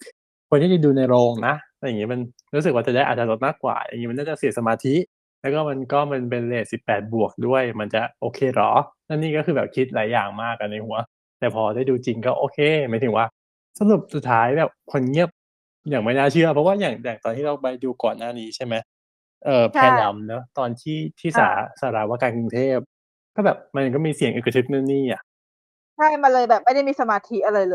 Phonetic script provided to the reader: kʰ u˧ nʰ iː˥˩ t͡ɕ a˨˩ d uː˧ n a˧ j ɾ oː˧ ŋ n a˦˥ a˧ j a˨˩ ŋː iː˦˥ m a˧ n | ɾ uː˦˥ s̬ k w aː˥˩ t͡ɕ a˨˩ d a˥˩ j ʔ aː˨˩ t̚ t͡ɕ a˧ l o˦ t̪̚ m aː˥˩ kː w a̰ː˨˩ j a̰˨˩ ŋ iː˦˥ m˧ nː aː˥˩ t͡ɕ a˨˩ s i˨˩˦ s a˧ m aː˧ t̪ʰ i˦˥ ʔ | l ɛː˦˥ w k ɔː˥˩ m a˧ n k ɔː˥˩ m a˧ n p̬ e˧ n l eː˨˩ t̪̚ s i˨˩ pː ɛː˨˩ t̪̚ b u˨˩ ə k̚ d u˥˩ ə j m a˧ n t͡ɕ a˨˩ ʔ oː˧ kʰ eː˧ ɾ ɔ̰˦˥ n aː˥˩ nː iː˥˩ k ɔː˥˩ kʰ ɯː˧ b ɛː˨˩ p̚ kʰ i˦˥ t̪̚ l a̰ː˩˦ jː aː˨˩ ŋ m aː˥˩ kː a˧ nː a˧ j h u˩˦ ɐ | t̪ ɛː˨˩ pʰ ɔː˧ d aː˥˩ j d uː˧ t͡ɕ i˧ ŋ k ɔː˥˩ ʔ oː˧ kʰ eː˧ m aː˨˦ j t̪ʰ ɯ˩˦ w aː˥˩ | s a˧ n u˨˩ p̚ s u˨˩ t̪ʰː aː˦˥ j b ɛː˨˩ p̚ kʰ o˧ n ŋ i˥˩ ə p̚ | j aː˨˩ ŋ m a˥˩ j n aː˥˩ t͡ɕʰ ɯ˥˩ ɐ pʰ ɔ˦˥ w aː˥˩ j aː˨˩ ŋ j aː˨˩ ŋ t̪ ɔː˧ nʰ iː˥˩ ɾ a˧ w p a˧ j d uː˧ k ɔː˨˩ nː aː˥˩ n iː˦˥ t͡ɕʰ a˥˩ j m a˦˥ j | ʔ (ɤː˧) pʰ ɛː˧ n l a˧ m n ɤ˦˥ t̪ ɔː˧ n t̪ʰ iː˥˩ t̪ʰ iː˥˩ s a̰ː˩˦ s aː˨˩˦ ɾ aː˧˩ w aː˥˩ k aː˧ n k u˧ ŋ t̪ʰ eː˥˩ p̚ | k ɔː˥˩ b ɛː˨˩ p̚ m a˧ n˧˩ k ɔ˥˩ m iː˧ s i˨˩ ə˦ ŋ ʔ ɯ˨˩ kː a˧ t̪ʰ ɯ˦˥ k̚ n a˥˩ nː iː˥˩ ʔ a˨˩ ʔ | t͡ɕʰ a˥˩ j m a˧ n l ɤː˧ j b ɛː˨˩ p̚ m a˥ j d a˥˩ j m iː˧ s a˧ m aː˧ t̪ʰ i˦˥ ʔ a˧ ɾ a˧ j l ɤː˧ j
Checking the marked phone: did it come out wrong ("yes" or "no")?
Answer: yes